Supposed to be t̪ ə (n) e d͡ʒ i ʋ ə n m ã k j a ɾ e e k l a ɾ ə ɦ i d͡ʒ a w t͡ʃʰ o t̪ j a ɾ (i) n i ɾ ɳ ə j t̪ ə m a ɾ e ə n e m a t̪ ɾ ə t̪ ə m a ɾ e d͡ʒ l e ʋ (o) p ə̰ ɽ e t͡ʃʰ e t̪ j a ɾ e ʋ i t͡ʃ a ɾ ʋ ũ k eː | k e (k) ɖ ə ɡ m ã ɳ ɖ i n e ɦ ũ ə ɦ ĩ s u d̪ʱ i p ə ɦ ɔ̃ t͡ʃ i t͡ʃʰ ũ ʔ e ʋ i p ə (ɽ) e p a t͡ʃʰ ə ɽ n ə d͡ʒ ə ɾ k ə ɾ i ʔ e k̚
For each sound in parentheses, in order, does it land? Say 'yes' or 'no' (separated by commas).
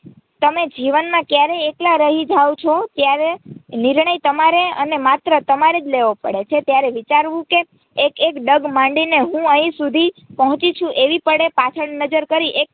no, no, yes, yes, yes